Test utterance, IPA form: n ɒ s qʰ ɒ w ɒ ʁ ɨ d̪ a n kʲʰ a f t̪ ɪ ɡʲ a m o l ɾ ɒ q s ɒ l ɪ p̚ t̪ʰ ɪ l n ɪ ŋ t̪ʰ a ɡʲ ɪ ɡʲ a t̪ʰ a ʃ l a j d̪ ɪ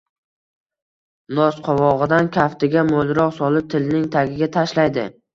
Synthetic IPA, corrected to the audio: n ɒ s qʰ ɒ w ɒ ʁ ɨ d̪ a n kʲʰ a f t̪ ɪ ɡʲ a m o l ɾ ɒ q s ɒ l ɪ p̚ t̪ʰ ɪ l n ɪ ŋ t̪ʰ a ɡʲ ɪ ɡʲ a t̪ʰ a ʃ l a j d̪ ɪ